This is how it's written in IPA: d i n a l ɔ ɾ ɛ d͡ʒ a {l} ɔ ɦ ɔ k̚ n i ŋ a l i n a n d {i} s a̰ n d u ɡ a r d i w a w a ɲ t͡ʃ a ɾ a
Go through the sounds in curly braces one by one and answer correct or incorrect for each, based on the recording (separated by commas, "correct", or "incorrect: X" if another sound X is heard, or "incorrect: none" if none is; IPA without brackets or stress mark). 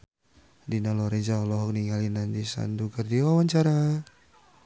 correct, correct